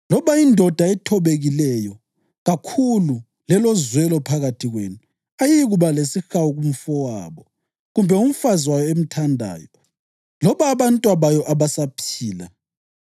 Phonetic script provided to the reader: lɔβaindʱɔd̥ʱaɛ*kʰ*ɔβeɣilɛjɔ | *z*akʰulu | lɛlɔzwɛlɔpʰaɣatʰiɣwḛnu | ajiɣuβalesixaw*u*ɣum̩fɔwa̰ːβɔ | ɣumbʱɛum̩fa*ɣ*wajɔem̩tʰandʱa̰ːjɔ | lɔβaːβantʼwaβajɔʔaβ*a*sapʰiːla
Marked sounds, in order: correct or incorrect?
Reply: incorrect: tʰ, incorrect: ɣ, correct, incorrect: z, correct

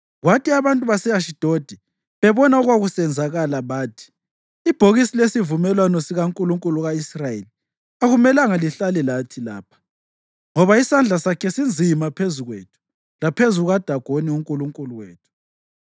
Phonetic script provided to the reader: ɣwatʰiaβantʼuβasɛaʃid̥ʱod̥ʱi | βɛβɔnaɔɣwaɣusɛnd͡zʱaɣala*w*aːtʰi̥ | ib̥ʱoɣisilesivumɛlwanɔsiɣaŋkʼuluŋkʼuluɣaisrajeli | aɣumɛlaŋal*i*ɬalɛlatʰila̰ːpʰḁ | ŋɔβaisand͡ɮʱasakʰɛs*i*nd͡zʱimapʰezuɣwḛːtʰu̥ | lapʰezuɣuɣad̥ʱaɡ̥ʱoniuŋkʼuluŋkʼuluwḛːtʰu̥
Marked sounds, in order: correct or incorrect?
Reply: incorrect: β, correct, correct

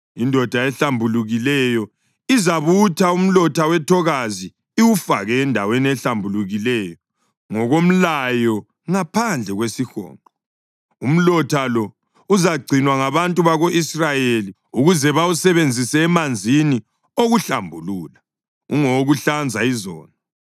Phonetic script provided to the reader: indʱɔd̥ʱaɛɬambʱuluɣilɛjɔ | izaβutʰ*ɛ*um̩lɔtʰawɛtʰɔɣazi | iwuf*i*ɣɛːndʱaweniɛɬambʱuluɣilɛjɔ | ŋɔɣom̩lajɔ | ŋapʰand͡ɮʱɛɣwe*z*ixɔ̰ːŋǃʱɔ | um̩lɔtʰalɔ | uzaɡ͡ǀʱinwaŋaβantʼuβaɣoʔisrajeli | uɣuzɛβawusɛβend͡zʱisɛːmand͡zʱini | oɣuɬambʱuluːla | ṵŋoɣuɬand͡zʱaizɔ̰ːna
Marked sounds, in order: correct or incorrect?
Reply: incorrect: a, incorrect: a, incorrect: s

